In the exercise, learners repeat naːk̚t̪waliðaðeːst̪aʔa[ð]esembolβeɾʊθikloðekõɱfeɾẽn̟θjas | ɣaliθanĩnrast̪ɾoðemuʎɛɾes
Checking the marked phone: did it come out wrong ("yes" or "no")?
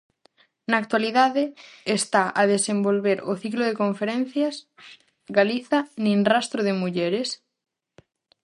no